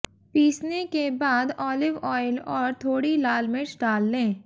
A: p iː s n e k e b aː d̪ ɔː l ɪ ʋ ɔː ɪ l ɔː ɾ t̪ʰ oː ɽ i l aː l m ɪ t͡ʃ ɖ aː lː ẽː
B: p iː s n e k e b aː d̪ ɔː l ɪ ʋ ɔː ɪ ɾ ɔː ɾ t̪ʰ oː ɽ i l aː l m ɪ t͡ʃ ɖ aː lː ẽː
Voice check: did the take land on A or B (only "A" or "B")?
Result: A